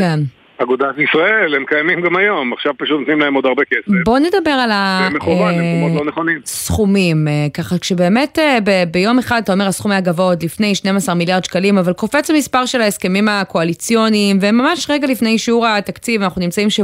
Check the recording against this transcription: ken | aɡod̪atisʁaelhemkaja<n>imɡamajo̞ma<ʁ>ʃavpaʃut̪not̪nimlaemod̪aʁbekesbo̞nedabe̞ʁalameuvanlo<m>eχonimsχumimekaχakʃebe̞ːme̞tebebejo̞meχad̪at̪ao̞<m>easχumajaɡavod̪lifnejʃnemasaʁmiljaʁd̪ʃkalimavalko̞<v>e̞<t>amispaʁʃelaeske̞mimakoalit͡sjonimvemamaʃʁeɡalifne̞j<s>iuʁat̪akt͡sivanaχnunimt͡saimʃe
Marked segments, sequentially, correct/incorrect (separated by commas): incorrect, incorrect, incorrect, correct, incorrect, incorrect, incorrect